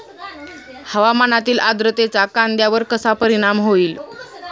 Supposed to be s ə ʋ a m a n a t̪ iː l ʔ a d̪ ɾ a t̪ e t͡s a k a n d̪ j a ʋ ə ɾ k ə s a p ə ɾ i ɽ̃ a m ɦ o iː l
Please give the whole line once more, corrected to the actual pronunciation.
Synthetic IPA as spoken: h ə ʋ a m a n a t̪ iː l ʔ a d̪ ɾ ə t̪ e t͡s a k a n d̪ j a ʋ ə ɾ k ə s a p ə ɾ i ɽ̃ a m ɦ o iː l